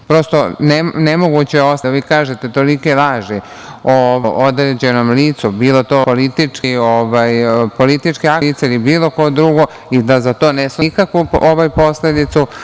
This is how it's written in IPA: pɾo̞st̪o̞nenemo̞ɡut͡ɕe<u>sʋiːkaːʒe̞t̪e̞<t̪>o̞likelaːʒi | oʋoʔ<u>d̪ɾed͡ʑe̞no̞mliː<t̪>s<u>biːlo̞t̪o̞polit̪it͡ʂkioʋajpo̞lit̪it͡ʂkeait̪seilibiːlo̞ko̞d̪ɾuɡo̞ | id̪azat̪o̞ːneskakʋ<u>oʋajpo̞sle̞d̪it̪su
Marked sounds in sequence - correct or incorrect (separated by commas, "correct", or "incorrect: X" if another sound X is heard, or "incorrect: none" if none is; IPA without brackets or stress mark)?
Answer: incorrect: o, correct, incorrect: o, correct, correct, correct